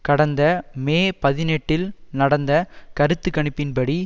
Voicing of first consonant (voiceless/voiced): voiceless